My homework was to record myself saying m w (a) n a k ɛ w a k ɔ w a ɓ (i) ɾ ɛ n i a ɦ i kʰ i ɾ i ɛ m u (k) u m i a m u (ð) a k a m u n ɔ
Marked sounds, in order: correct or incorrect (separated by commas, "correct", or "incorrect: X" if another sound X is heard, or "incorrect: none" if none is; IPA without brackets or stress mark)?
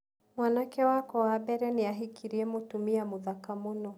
correct, incorrect: ɛ, incorrect: t, correct